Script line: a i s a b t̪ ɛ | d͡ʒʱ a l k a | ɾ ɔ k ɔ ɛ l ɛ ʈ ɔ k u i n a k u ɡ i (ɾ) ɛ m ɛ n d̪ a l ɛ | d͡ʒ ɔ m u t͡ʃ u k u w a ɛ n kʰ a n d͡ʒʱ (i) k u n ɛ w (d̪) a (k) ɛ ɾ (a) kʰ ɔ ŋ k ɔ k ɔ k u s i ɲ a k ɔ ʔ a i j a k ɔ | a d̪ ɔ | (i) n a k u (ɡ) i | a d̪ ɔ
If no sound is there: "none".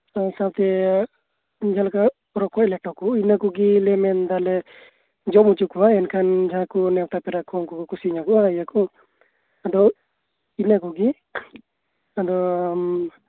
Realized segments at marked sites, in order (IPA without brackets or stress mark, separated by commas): l, a, t̪, p, a, i, ɡ